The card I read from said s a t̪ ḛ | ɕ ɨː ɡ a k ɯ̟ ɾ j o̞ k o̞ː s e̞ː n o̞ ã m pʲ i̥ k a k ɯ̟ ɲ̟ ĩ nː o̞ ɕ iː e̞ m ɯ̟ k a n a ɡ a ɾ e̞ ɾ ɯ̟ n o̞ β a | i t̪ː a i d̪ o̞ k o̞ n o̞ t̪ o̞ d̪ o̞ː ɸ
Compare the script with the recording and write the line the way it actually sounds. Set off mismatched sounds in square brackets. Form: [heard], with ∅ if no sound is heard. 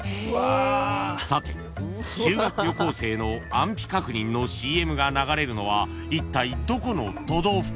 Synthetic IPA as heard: s a t̪ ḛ | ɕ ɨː ɡ a k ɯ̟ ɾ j o̞ k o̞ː s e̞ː n o̞ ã m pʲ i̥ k a k ɯ̟ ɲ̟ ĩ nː o̞ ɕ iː e̞ m ɯ̟ [ɡ] a n a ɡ a ɾ e̞ ɾ ɯ̟ n o̞ β a | i t̪ː a i d̪ o̞ k o̞ n o̞ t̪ o̞ d̪ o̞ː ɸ